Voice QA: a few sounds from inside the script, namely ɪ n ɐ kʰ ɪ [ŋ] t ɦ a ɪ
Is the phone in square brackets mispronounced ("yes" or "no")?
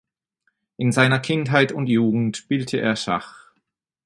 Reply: yes